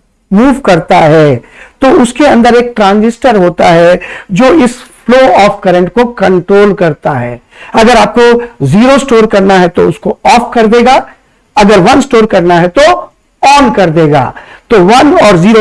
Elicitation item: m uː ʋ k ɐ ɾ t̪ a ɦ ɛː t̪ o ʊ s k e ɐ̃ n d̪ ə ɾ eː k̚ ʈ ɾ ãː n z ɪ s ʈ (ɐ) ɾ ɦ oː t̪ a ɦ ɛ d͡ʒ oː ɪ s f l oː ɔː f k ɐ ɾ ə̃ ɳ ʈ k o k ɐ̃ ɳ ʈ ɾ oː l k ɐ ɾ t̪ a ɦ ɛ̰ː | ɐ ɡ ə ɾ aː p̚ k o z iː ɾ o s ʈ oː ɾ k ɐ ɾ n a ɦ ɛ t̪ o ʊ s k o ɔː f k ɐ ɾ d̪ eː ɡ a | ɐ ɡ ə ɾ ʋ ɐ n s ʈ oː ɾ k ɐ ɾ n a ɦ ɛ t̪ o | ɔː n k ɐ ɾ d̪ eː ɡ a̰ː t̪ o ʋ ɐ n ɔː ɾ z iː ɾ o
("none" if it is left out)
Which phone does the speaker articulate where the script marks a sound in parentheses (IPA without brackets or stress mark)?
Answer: ə